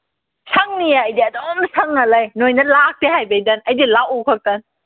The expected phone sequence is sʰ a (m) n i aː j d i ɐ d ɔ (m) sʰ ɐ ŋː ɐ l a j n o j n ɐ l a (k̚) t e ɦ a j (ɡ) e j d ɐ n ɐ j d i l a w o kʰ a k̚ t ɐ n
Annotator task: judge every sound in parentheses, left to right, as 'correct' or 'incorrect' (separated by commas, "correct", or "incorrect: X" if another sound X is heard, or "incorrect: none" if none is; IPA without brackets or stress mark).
incorrect: ŋ, correct, correct, incorrect: b